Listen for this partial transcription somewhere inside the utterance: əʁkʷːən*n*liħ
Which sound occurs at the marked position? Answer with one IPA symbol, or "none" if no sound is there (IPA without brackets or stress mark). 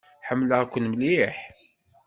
m